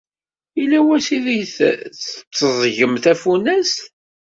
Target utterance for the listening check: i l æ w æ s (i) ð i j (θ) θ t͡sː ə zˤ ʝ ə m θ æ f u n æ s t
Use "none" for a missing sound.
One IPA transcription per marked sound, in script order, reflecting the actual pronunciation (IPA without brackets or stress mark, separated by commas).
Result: i, θ